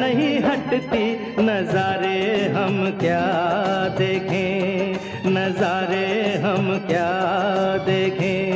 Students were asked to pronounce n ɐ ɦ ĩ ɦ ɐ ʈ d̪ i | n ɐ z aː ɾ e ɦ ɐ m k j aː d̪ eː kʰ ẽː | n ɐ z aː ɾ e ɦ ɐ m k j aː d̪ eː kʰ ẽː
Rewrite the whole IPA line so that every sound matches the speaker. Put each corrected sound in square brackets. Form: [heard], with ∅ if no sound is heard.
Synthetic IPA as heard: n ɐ ɦ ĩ ɦ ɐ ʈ [t̪] i | n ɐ z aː ɾ e ɦ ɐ m k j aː d̪ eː kʰ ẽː | n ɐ z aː ɾ e ɦ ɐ m k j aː d̪ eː kʰ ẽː